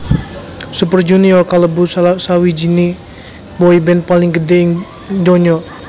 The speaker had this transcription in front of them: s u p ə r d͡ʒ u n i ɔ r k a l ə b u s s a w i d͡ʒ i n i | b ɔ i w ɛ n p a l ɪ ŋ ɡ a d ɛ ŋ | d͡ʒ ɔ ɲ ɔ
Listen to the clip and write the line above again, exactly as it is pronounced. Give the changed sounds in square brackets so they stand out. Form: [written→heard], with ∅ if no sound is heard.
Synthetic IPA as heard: s u p ə r d͡ʒ u n i ɔ r k a l ə b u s s a w i d͡ʒ i n i | b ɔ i [w→b] ɛ n p a l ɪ ŋ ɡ [a→ə] d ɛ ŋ | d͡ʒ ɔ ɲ ɔ